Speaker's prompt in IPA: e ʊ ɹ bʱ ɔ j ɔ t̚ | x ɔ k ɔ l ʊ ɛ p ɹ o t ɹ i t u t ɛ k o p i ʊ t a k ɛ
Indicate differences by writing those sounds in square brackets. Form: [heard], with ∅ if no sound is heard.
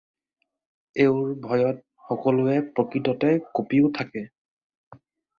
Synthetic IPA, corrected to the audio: e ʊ ɹ bʱ ɔ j ɔ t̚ | x ɔ k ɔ l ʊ ɛ p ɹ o [k] ɹ i t [ɔ] t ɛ k o p i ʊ [tʰ] a k ɛ